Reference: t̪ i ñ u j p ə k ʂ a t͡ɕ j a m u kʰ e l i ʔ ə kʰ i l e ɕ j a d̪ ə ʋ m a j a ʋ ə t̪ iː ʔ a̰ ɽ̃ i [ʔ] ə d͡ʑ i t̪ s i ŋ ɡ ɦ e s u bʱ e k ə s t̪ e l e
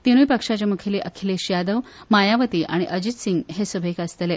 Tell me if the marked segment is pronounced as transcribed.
yes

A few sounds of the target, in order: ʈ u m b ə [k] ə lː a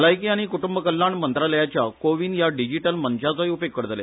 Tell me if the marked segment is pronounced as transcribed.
yes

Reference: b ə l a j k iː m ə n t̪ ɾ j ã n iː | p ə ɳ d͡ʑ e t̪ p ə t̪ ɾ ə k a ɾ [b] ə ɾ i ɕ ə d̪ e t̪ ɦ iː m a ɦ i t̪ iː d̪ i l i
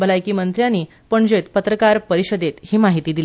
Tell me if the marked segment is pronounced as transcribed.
no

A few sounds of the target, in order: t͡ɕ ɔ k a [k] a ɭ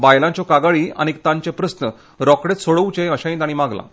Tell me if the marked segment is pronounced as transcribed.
no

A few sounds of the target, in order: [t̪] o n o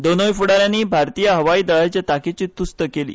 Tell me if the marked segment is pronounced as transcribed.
no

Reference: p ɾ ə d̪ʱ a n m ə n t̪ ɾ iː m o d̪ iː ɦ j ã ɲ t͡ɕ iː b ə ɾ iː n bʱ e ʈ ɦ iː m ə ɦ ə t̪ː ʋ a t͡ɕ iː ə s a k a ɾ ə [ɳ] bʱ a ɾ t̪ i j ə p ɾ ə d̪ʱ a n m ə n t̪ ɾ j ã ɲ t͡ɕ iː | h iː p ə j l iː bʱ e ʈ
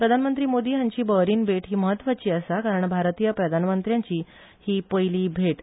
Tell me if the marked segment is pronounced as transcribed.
yes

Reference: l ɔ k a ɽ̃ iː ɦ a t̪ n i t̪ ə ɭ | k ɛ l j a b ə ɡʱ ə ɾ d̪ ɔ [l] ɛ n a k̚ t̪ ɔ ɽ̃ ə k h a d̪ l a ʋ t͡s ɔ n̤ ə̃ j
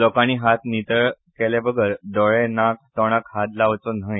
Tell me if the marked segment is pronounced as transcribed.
no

